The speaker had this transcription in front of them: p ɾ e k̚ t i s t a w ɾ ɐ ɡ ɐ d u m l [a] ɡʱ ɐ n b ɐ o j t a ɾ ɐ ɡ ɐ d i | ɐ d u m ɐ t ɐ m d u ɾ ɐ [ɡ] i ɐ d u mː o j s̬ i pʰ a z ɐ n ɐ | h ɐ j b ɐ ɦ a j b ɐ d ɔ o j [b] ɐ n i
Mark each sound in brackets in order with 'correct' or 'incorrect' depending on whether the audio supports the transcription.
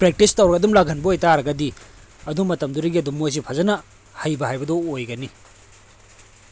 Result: correct, correct, incorrect

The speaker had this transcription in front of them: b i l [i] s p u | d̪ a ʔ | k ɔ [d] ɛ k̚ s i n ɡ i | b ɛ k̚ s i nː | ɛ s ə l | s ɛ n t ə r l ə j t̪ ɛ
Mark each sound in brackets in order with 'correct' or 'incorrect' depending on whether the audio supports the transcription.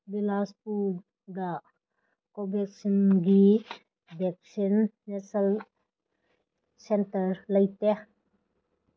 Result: incorrect, incorrect

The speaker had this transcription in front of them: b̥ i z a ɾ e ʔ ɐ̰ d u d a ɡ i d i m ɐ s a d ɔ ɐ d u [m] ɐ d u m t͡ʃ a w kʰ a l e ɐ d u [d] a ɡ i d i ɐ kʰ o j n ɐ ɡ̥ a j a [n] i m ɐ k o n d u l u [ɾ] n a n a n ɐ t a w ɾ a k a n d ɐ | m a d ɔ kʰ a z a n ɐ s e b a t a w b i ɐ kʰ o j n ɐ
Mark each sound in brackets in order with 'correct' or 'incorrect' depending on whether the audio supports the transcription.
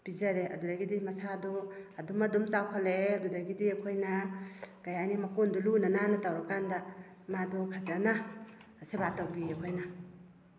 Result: correct, correct, correct, incorrect

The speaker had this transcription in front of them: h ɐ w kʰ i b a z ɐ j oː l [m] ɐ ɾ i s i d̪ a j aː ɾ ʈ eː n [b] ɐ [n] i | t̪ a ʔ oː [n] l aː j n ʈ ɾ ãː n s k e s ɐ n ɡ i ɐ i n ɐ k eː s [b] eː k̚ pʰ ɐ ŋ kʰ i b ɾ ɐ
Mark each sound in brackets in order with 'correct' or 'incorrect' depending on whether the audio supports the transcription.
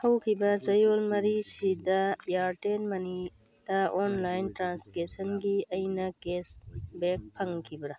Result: correct, incorrect, correct, correct, correct

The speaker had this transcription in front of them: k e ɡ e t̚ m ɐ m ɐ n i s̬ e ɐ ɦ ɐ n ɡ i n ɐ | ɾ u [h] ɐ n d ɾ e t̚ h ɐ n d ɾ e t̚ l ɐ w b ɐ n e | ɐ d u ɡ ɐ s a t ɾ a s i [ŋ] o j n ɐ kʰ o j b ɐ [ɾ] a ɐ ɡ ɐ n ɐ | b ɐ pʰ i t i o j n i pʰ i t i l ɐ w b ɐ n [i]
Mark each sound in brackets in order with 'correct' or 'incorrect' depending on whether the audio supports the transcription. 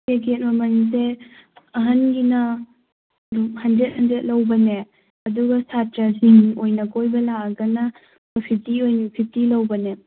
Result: correct, correct, incorrect, incorrect

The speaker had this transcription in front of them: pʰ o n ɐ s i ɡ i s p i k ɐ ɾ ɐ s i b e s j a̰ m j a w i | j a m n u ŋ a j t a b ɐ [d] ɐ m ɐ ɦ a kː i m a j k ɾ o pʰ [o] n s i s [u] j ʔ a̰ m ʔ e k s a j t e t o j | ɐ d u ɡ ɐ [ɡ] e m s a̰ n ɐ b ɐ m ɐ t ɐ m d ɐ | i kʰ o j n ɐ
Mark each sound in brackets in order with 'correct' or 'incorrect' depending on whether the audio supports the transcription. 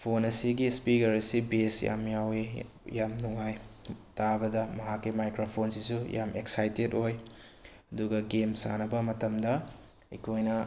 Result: correct, correct, correct, correct

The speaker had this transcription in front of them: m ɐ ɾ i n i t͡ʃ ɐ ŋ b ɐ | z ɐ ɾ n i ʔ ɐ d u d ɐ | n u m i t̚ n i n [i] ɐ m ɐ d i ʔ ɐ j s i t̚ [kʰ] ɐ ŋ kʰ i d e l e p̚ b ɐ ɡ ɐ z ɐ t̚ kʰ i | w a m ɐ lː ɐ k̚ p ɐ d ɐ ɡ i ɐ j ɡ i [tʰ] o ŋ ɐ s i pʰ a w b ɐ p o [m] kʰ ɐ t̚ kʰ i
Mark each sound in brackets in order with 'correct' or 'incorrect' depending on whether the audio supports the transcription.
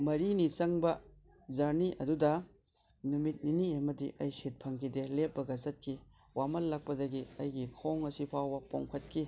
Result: correct, incorrect, incorrect, incorrect

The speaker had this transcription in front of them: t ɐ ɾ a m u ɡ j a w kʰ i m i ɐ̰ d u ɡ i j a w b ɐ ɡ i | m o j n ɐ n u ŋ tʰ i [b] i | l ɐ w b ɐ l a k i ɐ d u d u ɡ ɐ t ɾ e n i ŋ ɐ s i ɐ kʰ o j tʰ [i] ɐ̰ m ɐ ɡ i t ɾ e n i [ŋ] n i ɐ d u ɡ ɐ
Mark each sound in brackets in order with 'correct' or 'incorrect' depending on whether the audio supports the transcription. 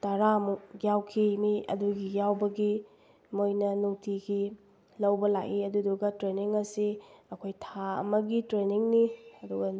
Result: incorrect, incorrect, correct

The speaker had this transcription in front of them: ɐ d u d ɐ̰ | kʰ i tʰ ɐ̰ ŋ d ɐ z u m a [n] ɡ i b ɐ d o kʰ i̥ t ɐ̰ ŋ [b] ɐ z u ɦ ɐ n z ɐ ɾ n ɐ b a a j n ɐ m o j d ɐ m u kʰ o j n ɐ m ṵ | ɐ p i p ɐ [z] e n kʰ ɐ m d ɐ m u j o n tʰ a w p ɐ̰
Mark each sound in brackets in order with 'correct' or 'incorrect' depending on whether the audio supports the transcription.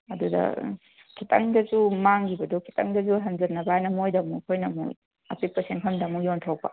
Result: incorrect, incorrect, incorrect

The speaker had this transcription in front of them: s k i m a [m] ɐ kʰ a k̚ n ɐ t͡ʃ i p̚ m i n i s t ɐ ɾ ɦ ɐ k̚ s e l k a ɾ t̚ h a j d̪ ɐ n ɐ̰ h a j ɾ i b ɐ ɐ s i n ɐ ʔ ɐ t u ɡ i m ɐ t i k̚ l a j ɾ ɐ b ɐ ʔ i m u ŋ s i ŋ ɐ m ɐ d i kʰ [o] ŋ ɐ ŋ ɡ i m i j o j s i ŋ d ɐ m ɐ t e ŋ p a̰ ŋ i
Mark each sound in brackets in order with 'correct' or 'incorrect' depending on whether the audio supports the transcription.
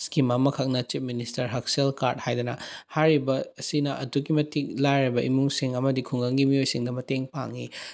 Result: correct, incorrect

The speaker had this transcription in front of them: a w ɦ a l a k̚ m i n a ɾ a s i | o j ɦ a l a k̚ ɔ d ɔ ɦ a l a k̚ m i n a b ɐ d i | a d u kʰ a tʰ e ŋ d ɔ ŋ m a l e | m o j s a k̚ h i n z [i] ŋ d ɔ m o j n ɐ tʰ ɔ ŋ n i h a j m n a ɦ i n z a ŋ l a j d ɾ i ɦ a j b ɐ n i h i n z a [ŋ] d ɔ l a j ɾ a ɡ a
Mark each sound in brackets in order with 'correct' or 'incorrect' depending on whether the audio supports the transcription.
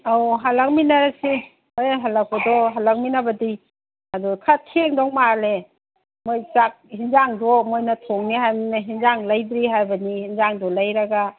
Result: incorrect, correct

